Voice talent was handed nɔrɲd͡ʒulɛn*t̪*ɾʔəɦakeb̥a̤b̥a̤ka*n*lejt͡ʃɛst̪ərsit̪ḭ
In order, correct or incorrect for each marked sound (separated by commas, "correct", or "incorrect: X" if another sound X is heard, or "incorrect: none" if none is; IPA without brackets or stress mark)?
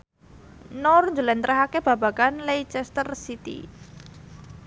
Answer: correct, correct